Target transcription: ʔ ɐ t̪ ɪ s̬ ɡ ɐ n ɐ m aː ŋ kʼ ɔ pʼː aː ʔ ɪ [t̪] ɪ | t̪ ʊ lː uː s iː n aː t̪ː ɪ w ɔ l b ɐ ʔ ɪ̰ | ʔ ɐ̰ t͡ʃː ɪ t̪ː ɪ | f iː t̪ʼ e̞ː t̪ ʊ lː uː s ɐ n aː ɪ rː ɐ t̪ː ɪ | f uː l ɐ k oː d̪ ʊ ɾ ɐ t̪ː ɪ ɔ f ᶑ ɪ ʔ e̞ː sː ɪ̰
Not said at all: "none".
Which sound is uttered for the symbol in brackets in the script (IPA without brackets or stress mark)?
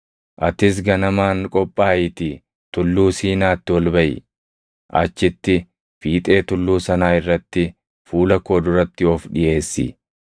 t̪